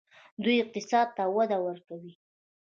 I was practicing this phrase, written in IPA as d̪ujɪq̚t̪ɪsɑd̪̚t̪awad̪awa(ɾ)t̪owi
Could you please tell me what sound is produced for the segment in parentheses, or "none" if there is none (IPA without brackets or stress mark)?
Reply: ɾ